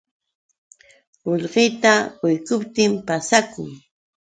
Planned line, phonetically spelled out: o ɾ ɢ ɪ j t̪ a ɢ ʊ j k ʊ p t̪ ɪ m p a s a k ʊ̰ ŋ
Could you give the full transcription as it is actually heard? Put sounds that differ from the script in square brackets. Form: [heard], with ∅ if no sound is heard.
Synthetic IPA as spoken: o [ʎ] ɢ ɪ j t̪ a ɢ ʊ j k ʊ p t̪ ɪ m p a s a k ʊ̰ ŋ